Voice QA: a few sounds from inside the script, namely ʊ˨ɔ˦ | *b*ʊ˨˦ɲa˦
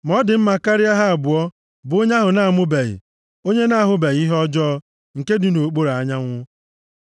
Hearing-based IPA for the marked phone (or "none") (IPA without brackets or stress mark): b